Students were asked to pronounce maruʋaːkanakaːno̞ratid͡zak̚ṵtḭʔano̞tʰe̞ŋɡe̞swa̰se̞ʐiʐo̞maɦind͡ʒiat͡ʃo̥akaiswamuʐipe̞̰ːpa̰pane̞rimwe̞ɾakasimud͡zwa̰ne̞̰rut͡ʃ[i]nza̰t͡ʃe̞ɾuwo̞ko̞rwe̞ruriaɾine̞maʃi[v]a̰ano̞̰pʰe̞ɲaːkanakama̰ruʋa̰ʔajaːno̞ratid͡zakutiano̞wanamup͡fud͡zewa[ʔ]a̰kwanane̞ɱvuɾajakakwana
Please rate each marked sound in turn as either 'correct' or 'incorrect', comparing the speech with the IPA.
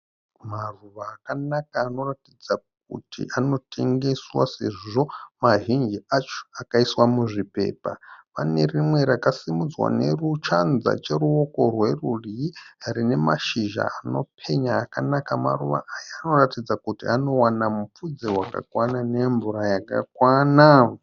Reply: incorrect: a, incorrect: ʒ, incorrect: k

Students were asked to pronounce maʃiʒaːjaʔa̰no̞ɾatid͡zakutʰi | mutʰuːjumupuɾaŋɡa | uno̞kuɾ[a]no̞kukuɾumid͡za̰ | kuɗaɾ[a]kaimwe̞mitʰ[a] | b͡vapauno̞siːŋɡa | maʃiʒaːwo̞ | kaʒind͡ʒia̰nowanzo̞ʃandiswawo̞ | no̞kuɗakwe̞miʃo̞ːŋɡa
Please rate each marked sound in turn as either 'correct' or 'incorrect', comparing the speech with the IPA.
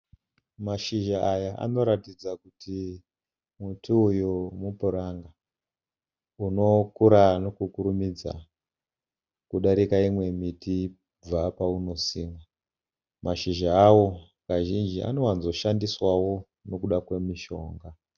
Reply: correct, incorrect: i, incorrect: i

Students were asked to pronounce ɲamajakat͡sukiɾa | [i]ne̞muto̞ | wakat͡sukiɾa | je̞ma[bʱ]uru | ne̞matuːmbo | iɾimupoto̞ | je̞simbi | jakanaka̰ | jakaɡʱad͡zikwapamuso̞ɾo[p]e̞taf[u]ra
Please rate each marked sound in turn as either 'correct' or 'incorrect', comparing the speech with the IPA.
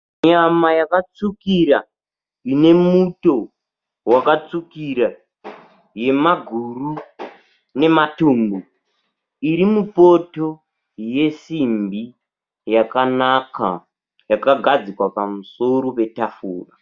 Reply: correct, incorrect: ɡʱ, correct, incorrect: uː

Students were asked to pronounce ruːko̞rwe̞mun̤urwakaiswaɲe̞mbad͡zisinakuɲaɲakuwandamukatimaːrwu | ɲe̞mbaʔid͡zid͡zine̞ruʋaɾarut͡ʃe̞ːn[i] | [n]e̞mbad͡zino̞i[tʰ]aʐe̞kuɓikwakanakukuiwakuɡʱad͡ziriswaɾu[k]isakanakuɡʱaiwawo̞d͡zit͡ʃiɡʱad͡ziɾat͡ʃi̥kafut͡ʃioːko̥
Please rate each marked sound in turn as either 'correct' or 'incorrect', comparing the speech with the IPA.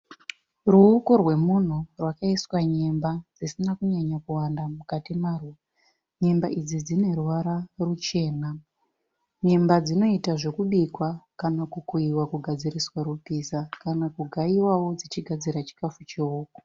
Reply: incorrect: a, incorrect: ɲ, incorrect: t, incorrect: p

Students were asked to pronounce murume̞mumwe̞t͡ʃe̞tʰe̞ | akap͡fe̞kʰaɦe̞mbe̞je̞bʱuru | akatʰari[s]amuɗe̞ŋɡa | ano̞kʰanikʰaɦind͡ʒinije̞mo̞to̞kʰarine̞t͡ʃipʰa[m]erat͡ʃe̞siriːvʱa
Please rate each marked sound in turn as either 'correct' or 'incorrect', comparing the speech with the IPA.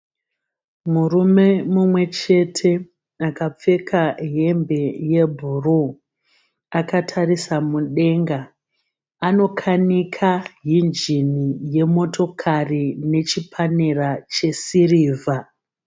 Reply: correct, incorrect: n

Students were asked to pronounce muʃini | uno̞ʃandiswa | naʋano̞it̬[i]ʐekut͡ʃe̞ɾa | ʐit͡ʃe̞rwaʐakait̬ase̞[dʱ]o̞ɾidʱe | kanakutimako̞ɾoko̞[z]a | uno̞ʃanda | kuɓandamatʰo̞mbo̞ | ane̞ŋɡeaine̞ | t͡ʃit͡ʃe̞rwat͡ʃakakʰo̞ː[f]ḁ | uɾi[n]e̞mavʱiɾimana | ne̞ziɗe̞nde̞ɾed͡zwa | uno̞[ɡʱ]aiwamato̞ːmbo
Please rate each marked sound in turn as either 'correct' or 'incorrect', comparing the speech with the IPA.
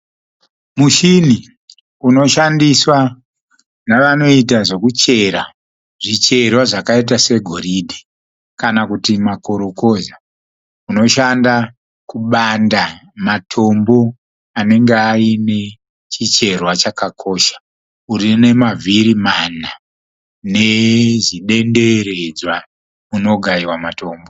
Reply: incorrect: a, incorrect: ɡʱ, correct, incorrect: ʃ, correct, correct

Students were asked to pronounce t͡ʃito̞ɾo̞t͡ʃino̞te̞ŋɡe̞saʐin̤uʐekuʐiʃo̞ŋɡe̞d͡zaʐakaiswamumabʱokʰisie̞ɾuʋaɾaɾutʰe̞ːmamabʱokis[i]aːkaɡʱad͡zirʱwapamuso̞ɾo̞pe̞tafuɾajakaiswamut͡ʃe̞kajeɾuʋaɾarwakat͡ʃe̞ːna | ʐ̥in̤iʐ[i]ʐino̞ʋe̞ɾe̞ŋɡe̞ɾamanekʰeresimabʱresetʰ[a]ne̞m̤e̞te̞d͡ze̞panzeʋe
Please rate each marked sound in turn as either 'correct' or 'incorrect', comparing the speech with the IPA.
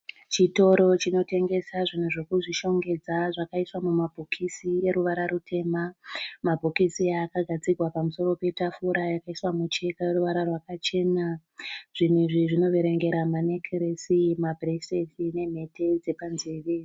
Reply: correct, correct, incorrect: i

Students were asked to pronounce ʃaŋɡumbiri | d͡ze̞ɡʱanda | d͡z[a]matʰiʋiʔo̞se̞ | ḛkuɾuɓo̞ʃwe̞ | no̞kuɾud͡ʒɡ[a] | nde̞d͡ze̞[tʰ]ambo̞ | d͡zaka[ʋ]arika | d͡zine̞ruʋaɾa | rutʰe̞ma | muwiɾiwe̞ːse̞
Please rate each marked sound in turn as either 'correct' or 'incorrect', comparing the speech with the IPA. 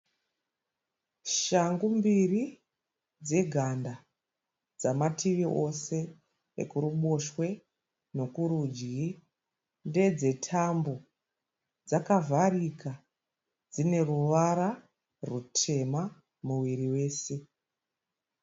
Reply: correct, incorrect: i, correct, incorrect: v

